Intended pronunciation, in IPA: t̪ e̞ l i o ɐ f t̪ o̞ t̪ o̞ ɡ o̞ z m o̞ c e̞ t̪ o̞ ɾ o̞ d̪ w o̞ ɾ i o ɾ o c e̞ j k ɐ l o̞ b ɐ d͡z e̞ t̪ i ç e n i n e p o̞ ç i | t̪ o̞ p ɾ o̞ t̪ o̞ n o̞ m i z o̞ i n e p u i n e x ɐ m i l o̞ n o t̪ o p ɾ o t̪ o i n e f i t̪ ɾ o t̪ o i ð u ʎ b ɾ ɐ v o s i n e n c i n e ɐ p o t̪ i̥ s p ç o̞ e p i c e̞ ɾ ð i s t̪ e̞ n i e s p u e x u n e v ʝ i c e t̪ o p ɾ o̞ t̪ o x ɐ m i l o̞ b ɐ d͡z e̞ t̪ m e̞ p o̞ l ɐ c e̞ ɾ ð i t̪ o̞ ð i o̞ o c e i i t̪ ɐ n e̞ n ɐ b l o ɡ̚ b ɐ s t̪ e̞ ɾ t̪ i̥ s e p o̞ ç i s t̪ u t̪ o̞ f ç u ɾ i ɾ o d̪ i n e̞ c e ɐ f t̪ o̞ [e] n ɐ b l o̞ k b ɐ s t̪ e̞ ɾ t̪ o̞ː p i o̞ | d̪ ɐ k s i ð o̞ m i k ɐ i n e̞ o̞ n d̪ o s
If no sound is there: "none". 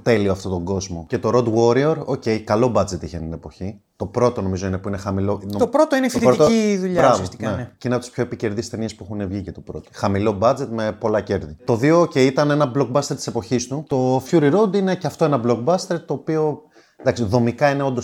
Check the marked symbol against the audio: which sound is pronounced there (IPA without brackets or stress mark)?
e